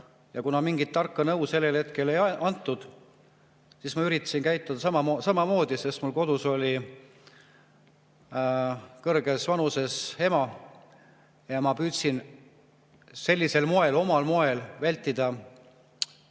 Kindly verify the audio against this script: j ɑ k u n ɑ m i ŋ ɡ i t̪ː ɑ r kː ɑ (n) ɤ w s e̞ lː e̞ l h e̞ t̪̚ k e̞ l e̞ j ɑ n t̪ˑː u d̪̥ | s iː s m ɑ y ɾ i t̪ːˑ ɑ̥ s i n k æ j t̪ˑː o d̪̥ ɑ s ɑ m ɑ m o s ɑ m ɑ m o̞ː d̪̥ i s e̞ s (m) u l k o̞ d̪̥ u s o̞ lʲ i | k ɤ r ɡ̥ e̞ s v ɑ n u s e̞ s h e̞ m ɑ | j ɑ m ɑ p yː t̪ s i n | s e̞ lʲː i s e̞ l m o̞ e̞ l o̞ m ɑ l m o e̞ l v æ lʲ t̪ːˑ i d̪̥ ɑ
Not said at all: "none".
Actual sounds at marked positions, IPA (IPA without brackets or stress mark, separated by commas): n, m